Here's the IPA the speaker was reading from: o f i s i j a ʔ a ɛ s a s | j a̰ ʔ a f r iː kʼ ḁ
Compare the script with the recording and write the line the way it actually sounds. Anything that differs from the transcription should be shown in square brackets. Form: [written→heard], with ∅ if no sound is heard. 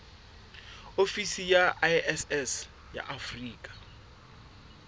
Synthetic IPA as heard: o f i s i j a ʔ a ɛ s [a→ɛ] s | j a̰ ʔ a f r iː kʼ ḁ